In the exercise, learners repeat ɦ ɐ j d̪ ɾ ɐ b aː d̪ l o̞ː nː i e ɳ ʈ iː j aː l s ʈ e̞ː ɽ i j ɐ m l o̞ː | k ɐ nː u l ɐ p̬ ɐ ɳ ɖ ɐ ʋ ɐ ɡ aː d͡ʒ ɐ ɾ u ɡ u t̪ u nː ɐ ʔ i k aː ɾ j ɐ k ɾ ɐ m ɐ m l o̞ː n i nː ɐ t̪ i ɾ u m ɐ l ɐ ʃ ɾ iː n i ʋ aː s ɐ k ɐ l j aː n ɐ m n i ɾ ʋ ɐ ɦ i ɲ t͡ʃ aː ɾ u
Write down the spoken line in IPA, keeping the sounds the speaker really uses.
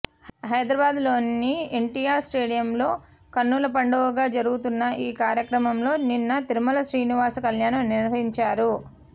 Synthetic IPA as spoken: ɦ ɐ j d̪ ɾ ɐ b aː d̪ l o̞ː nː i e ɳ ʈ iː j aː ɾ s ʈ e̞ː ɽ i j ɐ m l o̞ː | k ɐ nː u l ɐ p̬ ɐ ɳ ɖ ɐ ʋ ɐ ɡ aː d͡ʒ ɐ ɾ u ɡ u t̪ u nː ɐ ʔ iː k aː ɾ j ɐ k ɾ ɐ m ɐ m l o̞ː n i nː ɐ t̪ i ɾ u m ɐ l ɐ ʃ ɾ iː n i ʋ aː s ɐ k ɐ l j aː n ɐ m n i ɾ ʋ ɐ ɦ i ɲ t͡ʃ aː ɾ u